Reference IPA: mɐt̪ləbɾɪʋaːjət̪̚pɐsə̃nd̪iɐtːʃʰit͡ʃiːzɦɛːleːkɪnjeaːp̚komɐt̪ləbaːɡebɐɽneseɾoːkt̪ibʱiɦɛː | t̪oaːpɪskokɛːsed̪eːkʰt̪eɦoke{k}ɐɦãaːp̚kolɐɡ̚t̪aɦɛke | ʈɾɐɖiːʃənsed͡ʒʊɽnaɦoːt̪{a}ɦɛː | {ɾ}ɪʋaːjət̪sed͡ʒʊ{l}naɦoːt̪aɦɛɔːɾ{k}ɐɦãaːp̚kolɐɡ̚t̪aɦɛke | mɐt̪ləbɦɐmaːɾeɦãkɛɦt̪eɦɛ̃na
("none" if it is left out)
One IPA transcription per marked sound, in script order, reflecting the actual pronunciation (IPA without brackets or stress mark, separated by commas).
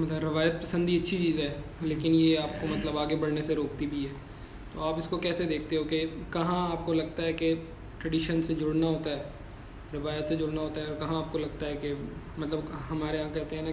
k, a, ɾ, ɽ, k